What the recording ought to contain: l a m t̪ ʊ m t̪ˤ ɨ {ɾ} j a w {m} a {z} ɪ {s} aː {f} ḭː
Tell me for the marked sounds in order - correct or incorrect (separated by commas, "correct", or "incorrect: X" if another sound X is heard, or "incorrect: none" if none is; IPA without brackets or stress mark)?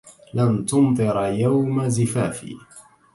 correct, correct, correct, incorrect: f, correct